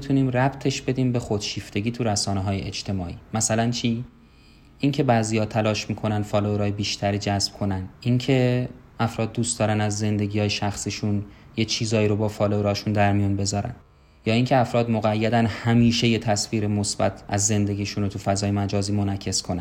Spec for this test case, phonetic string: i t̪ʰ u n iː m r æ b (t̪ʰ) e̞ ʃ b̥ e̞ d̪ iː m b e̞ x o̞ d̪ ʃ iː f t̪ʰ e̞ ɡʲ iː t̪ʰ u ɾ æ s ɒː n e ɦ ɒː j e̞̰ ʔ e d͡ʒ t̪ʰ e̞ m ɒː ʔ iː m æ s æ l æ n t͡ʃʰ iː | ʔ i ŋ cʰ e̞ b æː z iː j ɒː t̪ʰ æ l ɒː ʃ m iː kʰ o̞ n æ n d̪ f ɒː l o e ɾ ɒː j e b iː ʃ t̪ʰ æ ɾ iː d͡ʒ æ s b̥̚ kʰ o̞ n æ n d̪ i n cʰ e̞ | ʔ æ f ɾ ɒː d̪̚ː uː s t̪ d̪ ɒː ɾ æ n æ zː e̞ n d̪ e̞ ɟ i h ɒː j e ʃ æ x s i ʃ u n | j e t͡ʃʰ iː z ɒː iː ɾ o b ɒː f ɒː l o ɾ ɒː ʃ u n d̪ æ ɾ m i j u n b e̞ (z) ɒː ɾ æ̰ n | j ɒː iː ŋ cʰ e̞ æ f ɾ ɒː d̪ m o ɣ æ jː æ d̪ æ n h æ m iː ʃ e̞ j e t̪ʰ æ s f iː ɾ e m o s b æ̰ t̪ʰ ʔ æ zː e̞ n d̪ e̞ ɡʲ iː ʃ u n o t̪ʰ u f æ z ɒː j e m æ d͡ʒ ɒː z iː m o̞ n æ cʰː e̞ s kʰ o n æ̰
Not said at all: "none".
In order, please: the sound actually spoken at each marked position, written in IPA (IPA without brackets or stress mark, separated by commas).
t̪ʰ, z